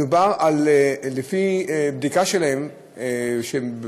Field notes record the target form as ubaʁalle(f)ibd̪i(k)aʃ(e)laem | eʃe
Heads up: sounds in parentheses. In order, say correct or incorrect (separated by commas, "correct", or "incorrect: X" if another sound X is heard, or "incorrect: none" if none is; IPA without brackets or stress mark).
correct, correct, correct